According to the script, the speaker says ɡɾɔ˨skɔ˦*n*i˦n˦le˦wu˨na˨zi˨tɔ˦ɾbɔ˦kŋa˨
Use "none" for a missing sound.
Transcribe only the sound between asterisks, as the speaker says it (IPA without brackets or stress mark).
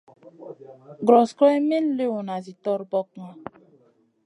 m